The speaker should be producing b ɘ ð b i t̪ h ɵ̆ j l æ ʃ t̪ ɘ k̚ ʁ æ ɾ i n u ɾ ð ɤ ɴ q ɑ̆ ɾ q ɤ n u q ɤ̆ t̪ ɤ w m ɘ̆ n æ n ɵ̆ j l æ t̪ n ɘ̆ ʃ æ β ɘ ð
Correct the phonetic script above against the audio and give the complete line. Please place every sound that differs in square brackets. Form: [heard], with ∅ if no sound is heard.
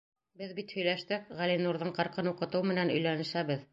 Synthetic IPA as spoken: b ɘ ð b i t̪ h ɵ̆ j l æ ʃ t̪ ɘ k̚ ʁ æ [l] i n u ɾ ð ɤ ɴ q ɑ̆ ɾ q ɤ n u q ɤ̆ t̪ ɤ w m ɘ̆ n æ n ɵ̆ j l æ [∅] n ɘ̆ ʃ æ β ɘ ð